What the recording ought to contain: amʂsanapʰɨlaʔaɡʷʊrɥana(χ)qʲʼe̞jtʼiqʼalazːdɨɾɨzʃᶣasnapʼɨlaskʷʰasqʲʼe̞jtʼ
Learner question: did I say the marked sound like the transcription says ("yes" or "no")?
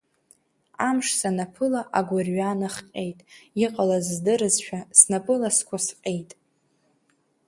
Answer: yes